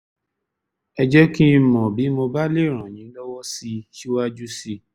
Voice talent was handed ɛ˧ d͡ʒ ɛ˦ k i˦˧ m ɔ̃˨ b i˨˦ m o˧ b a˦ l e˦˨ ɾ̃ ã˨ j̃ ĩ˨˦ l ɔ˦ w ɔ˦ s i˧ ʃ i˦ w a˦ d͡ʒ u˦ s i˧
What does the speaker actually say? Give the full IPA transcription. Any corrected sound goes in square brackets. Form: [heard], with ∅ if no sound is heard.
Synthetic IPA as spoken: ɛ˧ d͡ʒ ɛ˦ k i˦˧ m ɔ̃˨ b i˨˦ m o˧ b a˦ l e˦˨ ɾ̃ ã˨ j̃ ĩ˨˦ l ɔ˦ w ɔ˦ s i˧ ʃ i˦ w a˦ d͡ʒ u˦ s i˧